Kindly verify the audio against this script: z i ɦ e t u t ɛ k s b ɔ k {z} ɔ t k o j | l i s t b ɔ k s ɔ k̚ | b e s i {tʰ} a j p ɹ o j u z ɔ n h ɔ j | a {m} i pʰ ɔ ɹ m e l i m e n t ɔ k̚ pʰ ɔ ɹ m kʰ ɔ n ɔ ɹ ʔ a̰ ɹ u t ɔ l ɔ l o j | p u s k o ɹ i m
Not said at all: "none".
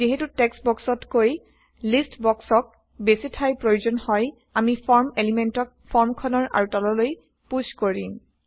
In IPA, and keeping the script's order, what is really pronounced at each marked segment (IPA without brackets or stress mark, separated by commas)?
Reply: s, tʰ, m